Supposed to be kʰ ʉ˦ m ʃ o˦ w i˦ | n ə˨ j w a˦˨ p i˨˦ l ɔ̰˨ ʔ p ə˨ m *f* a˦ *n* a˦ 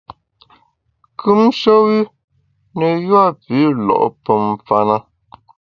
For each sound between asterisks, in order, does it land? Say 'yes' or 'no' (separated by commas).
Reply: yes, yes